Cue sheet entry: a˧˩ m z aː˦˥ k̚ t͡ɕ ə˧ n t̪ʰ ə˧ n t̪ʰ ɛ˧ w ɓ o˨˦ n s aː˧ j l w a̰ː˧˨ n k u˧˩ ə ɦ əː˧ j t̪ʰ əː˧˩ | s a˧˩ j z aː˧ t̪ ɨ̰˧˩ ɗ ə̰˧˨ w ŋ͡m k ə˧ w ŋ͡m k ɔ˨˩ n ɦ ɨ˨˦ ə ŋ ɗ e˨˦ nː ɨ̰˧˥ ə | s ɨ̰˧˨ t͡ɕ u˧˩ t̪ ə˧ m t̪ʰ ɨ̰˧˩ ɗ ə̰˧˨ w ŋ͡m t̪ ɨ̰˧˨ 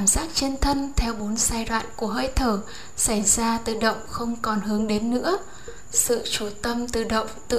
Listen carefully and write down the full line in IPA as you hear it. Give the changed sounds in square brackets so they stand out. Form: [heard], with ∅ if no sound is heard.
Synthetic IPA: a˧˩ m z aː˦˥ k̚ t͡ɕ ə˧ n t̪ʰ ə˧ n t̪ʰ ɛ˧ w ɓ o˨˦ n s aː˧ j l w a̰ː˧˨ n k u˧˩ ə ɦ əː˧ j t̪ʰ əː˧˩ | s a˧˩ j z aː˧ t̪ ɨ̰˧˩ ɗ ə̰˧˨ w ŋ͡m [x] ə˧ w ŋ͡m k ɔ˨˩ n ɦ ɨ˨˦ ə ŋ ɗ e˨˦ nː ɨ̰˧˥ ə | s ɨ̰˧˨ t͡ɕ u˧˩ t̪ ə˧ m [t̪] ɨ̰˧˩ ɗ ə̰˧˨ w ŋ͡m t̪ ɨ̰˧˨